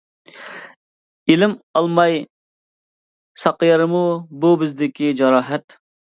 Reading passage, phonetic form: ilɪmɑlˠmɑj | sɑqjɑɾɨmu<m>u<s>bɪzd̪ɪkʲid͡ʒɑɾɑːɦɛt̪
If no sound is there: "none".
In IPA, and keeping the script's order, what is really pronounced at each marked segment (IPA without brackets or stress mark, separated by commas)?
b, none